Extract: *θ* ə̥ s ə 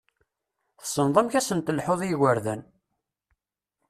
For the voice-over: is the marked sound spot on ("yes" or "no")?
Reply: yes